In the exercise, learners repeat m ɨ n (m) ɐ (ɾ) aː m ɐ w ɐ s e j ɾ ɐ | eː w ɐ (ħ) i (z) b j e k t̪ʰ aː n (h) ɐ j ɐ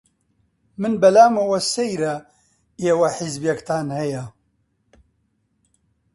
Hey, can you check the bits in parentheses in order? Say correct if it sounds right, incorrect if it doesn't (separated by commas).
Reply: incorrect, incorrect, correct, correct, correct